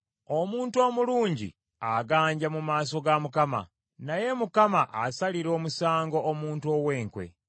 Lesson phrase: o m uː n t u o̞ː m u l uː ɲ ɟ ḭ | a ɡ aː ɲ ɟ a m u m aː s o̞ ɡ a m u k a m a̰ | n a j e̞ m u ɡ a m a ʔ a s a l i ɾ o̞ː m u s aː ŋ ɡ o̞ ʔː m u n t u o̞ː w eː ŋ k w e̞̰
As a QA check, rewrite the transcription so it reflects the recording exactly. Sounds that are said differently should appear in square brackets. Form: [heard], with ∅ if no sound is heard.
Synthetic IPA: o m uː n t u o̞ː m u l uː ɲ ɟ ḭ | a ɡ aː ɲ ɟ a m u m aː s o̞ ɡ a m u k a m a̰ | n a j e̞ m u [k] a m a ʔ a s a l i ɾ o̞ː m u s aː ŋ ɡ o̞ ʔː m [uː] n t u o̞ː w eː ŋ k w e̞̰